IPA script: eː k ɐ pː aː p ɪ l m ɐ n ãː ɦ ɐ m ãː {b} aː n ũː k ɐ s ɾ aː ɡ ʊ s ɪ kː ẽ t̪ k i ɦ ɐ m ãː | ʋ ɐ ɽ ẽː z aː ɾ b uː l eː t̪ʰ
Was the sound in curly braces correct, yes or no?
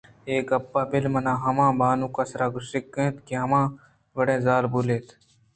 yes